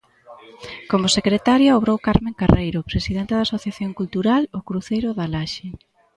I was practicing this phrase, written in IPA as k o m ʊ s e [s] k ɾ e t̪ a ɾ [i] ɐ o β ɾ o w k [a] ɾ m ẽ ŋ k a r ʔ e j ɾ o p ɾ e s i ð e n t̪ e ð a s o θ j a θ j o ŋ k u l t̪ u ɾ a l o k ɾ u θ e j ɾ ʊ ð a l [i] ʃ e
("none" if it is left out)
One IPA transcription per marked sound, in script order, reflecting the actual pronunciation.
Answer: none, j, a, a

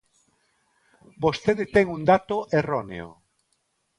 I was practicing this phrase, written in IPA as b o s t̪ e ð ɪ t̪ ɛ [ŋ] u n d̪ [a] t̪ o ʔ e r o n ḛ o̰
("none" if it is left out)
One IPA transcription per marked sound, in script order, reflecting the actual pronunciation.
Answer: ŋ, a

